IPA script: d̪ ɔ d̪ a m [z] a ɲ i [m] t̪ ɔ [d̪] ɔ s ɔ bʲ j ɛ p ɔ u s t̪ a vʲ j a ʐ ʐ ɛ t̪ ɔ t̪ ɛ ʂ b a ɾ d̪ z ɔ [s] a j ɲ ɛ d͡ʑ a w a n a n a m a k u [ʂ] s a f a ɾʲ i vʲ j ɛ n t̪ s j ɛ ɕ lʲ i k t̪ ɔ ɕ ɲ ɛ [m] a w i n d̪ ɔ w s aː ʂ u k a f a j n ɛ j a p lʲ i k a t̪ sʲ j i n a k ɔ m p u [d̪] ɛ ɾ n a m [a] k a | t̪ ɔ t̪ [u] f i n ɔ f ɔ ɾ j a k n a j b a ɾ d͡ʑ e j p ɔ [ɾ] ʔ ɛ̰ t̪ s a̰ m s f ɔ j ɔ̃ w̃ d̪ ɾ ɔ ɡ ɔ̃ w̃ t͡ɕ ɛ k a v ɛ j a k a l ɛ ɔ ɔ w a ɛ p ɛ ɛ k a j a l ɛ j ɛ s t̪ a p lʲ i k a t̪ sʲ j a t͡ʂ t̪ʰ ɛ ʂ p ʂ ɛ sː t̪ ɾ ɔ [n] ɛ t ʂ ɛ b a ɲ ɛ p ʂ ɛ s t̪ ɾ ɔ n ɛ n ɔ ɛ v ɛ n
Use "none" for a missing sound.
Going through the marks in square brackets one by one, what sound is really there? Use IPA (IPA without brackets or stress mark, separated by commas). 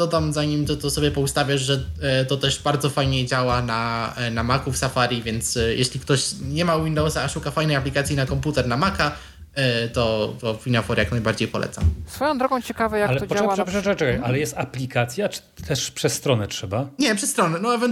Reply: z, m, t̪, f, f, m, t̪, a, ɔ, l, n